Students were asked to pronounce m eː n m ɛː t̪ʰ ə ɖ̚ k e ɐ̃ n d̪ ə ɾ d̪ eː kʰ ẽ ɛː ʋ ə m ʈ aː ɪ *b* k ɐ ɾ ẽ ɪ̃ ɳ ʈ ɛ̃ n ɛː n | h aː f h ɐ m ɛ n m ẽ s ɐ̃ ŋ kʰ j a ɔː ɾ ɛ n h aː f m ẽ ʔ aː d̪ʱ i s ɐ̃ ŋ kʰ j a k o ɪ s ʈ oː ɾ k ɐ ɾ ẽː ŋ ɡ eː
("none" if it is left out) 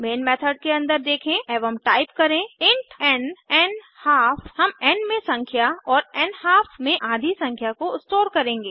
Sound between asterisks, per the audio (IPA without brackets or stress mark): p